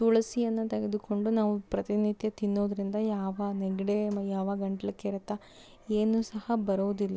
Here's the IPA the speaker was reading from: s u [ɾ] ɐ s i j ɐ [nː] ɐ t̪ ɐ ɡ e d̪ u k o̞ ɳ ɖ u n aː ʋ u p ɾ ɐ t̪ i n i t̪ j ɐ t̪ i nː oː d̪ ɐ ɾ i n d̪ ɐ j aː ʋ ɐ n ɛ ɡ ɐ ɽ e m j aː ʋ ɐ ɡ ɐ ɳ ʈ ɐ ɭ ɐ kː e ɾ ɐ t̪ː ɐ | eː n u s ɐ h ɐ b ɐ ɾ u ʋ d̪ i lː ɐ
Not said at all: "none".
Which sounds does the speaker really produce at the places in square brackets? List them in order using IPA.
ɭ, nː

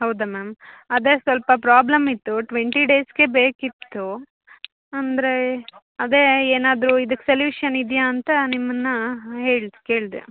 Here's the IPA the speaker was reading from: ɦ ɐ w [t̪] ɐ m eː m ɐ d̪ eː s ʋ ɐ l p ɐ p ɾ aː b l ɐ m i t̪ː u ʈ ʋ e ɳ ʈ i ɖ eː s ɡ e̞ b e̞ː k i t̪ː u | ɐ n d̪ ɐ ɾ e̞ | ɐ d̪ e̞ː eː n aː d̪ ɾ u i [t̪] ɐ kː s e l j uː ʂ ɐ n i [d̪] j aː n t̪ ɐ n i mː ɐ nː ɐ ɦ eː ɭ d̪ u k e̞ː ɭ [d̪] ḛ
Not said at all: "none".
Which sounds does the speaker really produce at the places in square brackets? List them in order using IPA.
d̪, d̪, d̪, d̪

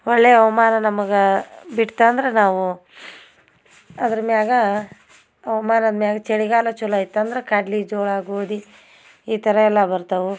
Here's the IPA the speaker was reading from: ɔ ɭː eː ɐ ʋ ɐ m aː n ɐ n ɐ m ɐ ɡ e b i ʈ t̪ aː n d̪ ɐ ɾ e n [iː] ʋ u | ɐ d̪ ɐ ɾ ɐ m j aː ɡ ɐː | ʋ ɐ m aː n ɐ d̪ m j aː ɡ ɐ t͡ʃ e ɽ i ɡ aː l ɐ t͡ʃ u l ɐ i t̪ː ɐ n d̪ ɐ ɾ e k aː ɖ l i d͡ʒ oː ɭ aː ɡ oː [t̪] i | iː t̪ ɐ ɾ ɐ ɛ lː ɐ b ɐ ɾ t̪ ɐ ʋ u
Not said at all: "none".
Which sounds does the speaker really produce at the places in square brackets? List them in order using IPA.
aː, d̪

